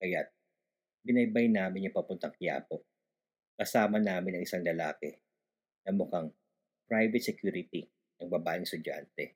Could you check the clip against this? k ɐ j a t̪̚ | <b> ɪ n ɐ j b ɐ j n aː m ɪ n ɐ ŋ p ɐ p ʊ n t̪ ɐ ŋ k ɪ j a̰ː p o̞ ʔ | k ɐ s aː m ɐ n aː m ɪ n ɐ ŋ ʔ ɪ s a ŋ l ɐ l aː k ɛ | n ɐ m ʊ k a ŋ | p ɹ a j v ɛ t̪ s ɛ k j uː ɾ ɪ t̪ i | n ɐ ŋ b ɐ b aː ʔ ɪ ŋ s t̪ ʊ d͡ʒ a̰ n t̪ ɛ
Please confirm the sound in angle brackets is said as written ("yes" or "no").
yes